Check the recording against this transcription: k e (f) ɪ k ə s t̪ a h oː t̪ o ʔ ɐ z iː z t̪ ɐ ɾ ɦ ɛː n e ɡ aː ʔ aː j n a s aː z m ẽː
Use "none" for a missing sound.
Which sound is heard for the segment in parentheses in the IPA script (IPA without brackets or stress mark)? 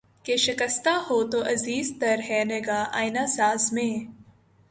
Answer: ʃ